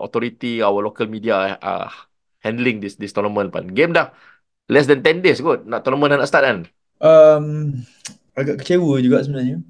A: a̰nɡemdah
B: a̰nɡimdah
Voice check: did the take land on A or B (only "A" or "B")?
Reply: A